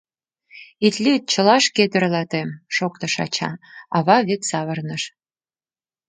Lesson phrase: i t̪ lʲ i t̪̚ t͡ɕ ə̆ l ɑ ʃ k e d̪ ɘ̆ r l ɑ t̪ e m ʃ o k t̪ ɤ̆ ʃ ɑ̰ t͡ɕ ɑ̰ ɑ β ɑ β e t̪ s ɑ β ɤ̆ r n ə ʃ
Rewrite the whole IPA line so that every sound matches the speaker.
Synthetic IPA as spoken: i t̪ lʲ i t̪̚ t͡ɕ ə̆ l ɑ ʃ k e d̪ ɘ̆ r l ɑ t̪ e m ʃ o k t̪ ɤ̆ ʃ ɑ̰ t͡ɕ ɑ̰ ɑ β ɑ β e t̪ s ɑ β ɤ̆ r n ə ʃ